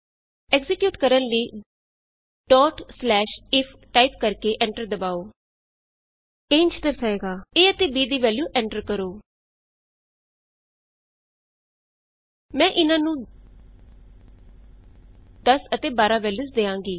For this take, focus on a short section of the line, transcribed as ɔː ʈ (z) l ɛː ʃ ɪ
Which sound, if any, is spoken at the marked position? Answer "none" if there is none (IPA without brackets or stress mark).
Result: s